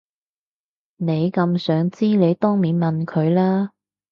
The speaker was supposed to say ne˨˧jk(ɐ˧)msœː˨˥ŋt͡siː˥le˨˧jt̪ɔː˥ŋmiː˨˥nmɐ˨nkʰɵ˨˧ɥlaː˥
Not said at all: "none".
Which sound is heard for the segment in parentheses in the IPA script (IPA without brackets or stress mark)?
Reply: ɐ˧